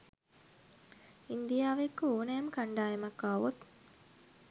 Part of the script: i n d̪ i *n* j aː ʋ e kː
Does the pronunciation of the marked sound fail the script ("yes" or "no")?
yes